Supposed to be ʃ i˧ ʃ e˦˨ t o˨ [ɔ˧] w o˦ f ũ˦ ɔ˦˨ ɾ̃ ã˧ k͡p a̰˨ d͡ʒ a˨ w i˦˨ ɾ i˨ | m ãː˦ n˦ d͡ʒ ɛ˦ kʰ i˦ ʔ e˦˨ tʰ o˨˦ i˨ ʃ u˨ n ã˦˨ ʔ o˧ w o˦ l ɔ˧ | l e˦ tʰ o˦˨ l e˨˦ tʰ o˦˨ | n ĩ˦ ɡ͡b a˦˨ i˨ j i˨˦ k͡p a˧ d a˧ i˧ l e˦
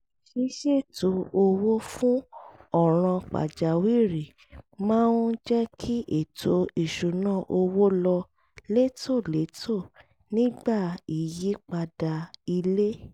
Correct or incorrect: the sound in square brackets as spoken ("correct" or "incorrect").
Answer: incorrect